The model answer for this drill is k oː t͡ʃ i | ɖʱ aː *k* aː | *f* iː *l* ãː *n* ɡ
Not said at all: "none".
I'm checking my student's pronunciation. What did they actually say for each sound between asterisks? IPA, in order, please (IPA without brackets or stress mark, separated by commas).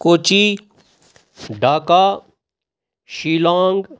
k, ʃ, l, ŋ